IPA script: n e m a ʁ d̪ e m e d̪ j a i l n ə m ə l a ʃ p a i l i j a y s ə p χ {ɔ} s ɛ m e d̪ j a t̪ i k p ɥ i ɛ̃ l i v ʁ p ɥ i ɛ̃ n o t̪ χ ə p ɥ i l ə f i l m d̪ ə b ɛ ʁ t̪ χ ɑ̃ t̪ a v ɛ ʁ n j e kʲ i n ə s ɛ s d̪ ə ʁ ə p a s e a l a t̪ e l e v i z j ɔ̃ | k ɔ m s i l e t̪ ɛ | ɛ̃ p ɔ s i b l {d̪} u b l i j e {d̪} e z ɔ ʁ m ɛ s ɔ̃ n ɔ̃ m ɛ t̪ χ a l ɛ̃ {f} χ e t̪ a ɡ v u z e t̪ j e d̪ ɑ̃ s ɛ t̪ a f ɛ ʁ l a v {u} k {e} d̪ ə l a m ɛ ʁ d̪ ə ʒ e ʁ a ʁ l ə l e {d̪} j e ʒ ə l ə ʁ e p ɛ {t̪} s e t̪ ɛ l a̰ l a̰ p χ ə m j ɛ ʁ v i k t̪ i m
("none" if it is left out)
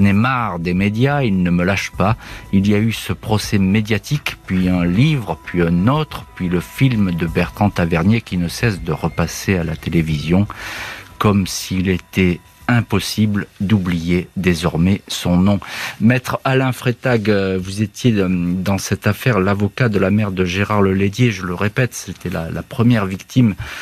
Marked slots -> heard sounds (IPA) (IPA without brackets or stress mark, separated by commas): ɔ, d̪, d̪, f, ɔ, a, d̪, t̪